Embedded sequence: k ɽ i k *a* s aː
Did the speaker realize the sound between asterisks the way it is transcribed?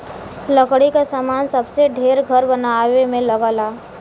yes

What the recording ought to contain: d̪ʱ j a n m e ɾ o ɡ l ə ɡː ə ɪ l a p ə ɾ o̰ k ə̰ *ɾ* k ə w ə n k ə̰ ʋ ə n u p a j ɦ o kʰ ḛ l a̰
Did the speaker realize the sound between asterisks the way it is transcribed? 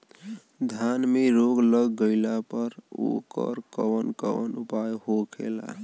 yes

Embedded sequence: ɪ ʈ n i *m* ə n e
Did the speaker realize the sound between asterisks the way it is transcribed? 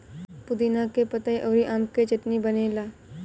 no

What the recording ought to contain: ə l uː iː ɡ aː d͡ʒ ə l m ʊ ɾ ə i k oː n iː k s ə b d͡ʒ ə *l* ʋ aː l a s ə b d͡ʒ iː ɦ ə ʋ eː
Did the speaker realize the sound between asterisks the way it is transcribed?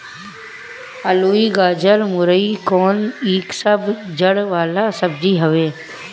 no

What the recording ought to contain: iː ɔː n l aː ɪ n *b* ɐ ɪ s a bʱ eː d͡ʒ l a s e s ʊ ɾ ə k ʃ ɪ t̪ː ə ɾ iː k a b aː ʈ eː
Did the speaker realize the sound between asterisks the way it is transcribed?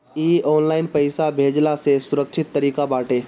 no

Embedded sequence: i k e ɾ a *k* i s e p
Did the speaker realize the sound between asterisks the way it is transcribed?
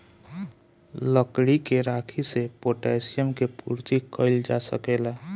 no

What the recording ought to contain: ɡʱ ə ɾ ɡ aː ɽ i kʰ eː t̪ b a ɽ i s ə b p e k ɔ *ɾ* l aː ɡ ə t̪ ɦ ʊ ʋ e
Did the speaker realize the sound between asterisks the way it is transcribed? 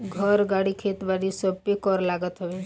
yes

